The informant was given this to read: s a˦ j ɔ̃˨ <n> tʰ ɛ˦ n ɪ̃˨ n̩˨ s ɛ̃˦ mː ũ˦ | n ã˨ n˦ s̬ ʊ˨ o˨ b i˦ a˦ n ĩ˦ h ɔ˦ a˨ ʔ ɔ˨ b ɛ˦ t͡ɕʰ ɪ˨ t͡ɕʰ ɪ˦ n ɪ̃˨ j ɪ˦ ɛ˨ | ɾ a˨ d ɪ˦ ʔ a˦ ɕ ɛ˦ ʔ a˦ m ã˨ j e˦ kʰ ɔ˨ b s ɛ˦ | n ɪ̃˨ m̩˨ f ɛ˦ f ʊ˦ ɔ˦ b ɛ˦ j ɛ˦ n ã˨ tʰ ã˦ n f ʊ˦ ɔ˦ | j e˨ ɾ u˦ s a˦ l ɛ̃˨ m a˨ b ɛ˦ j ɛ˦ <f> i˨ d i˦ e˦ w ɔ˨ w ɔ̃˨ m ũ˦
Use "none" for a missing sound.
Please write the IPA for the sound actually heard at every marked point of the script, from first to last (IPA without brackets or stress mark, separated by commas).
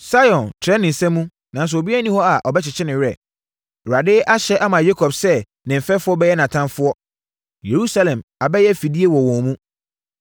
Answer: n, f